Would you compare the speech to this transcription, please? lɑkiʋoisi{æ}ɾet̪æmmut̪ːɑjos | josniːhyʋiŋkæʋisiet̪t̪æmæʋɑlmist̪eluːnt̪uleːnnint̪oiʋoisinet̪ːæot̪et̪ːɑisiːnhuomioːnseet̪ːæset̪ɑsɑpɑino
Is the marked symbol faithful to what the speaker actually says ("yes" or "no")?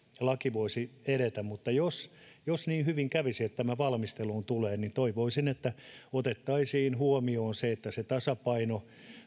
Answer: no